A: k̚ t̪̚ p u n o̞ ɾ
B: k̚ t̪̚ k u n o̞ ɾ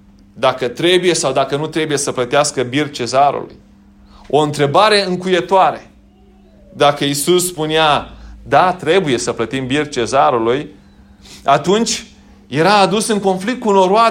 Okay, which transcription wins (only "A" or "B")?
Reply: B